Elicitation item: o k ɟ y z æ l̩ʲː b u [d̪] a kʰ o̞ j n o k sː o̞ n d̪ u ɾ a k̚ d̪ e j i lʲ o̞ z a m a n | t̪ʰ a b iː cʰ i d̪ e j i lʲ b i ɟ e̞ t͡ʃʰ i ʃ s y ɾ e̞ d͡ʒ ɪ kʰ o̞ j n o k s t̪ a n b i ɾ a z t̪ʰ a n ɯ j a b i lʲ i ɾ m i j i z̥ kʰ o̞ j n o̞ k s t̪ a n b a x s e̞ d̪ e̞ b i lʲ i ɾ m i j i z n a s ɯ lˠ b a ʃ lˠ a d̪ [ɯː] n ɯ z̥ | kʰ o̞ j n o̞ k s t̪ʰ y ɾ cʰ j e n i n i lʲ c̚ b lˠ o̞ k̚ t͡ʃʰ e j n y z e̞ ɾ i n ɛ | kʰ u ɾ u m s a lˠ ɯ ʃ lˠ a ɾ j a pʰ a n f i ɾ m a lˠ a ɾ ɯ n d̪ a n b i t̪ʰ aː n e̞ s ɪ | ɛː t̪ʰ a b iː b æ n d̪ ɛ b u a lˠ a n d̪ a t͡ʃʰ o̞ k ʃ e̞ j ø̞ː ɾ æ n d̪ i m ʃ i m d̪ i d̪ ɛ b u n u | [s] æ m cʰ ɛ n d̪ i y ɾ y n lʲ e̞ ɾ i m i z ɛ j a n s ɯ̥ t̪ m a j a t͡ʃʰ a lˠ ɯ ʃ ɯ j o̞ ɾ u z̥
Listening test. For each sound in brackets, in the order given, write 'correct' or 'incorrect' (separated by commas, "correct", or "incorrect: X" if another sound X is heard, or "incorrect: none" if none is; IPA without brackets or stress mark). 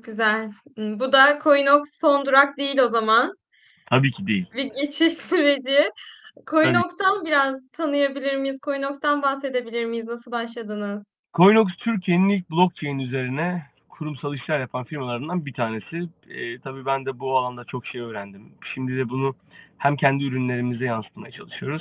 correct, incorrect: ɯ, incorrect: h